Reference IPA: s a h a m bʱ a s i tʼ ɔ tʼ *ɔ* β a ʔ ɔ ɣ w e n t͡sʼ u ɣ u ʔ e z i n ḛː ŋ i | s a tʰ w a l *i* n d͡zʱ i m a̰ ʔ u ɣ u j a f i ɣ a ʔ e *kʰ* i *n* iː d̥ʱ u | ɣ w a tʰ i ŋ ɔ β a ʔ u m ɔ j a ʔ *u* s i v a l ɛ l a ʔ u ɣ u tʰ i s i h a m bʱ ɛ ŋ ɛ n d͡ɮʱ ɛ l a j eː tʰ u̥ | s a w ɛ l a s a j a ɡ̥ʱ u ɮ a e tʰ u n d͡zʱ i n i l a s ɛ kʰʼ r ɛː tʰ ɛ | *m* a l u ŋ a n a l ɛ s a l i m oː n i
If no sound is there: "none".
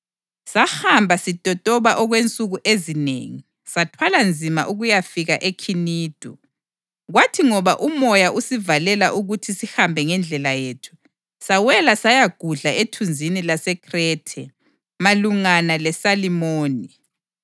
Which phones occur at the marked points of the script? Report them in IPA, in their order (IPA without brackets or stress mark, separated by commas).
ɔ, a, kʰ, n, u, m